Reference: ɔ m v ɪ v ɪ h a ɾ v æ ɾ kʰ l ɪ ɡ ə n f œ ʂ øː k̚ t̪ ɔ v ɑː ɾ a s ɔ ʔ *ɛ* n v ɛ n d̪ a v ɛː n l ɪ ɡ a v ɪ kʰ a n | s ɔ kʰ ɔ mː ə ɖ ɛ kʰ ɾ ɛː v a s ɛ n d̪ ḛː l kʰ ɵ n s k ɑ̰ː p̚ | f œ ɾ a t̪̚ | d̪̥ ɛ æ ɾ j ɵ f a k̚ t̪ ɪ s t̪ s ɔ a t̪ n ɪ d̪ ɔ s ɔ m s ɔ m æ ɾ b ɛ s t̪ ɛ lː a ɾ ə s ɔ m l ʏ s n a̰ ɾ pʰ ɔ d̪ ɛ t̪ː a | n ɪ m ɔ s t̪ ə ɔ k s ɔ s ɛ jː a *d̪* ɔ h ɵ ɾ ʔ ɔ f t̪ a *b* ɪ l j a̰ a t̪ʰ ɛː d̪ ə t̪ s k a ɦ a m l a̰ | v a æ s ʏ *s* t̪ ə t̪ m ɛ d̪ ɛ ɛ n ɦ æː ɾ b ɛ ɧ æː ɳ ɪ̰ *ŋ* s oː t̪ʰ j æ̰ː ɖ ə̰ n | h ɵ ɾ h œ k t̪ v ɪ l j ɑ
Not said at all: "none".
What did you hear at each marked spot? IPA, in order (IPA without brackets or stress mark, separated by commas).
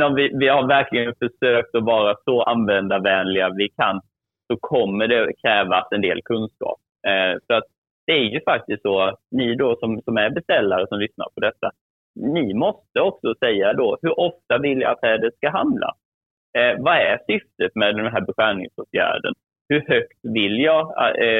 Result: a, d̪, v, f, ŋ